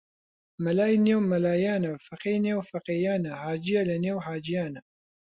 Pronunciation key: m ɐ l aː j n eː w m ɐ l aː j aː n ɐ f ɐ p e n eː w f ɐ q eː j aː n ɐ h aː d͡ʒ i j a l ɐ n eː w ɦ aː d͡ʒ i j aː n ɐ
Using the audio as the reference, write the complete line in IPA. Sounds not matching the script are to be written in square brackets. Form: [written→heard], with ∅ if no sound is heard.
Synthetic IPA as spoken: m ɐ l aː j n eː w m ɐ l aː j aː n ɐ f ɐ [p→q] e n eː w f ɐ q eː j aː n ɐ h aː d͡ʒ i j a l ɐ n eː w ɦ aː d͡ʒ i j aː n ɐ